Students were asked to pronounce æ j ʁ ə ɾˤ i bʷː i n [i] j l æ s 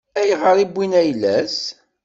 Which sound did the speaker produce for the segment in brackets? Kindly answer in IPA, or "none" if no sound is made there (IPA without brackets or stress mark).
æ